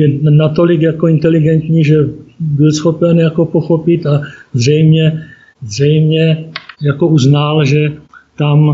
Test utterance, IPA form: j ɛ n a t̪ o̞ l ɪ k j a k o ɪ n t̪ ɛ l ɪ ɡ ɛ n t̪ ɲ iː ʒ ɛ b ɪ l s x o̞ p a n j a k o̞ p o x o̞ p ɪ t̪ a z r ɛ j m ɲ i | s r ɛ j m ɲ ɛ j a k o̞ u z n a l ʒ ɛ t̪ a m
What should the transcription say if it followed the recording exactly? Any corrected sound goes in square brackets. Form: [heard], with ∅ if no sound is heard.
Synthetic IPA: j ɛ n a t̪ o̞ l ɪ k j a k o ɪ n t̪ ɛ l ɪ ɡ ɛ n t̪ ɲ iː ʒ ɛ b ɪ l s x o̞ p [ɛ] n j a k o̞ p o x o̞ p ɪ t̪ a z r ɛ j m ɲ [ɛ] | [z] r ɛ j m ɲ ɛ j a k o̞ u z n a l ʒ ɛ t̪ a m